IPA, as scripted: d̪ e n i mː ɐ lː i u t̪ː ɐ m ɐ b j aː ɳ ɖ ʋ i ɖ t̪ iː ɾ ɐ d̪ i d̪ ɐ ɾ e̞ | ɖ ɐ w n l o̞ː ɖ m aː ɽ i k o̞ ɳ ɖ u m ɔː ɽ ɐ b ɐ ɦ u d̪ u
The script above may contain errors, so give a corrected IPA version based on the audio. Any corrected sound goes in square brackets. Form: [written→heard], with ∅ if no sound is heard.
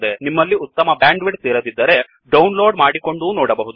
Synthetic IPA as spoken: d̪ e n i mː ɐ lː i u t̪ː ɐ m ɐ b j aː ɳ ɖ ʋ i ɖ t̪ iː ɾ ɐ d̪ i [d̪→d̪ː] ɐ ɾ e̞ | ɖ ɐ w n l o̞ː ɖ m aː ɽ i k o̞ ɳ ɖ u [m→n] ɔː ɽ ɐ b ɐ ɦ u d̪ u